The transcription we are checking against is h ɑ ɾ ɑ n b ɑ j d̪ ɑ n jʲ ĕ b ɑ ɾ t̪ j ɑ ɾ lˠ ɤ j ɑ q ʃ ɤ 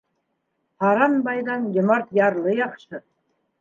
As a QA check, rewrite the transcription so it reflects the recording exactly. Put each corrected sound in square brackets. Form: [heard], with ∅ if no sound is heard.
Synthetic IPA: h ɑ ɾ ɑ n b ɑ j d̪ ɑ n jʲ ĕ [m] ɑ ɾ t̪ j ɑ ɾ lˠ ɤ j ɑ q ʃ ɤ